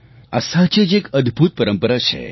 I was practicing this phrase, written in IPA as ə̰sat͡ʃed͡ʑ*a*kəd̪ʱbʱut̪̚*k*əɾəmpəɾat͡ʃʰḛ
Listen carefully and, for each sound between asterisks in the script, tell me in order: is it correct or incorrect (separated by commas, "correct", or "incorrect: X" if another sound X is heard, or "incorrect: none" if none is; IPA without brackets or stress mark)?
incorrect: e, incorrect: p